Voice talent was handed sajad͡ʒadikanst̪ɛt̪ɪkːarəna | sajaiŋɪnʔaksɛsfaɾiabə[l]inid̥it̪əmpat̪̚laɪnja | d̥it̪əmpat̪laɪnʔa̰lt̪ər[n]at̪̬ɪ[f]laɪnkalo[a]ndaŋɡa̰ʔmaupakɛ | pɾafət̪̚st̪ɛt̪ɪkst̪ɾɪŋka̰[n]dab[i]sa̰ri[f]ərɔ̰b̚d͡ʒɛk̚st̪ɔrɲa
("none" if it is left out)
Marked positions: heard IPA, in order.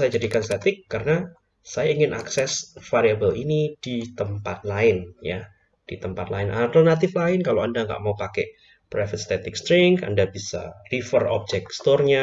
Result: l, n, f, a, n, i, f

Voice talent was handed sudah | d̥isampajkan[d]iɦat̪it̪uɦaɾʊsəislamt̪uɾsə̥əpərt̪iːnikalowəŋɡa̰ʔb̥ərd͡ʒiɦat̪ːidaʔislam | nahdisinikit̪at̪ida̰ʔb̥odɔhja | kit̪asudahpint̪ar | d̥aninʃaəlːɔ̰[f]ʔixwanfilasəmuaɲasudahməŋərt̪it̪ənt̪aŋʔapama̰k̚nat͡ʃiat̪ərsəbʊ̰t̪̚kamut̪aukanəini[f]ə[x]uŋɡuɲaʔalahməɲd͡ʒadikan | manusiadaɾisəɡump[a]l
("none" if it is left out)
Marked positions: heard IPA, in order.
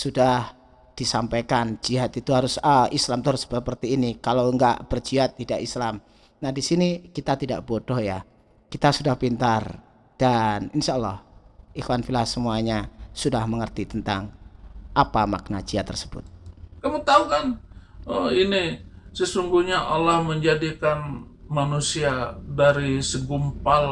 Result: d͡ʒ, h, s, s, a

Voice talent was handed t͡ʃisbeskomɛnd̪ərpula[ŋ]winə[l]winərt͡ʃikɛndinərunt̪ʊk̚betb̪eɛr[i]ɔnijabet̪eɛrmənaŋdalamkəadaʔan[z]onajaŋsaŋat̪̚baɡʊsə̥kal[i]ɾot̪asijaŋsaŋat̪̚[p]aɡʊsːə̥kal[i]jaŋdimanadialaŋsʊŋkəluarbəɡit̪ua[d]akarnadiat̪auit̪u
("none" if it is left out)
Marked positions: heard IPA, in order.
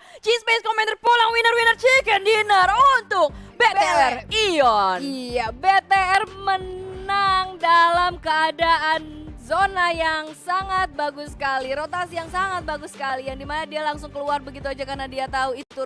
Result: ŋ, r, i, z, i, b, i, d͡ʒ

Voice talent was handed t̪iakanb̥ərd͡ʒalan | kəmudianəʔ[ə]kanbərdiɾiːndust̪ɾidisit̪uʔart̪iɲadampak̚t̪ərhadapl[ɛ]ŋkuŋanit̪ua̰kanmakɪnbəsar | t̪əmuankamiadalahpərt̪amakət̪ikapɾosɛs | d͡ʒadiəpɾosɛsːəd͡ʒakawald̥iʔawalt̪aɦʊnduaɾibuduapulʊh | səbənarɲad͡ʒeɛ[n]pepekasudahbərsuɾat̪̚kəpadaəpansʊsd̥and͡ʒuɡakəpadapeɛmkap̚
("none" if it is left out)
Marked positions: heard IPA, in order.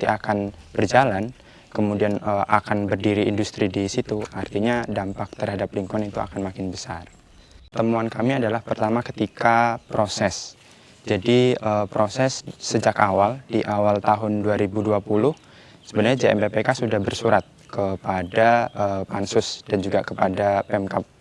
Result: a, i, m

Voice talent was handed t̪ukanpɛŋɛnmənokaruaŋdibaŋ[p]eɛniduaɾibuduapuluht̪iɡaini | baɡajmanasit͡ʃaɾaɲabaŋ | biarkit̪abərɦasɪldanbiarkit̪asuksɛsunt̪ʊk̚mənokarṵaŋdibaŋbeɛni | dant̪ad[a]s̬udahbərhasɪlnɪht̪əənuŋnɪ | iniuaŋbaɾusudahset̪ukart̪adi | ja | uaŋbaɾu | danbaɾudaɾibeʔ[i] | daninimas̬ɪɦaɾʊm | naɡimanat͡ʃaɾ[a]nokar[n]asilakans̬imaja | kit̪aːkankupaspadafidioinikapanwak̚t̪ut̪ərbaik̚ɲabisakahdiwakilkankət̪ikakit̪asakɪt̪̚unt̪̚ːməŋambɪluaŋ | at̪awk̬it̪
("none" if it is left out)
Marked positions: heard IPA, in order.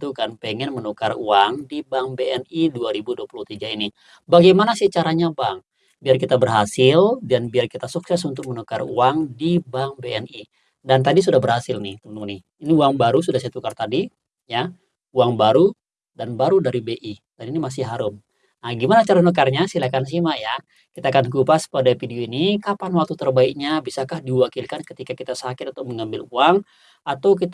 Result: b, i, i, a, ɲ

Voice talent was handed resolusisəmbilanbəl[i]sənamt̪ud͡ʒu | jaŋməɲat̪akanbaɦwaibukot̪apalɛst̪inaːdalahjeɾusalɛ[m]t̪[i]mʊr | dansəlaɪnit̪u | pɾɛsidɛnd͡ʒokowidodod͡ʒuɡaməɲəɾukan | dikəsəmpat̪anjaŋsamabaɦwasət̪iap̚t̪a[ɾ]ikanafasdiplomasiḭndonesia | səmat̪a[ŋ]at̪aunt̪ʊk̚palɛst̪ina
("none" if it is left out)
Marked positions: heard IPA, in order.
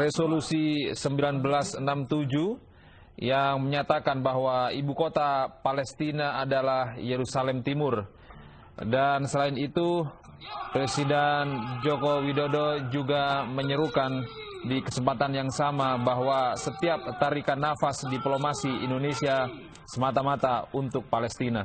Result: a, m, i, ɾ, m

